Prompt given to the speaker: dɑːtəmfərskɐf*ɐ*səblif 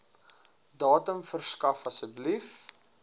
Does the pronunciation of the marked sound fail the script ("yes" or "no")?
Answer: no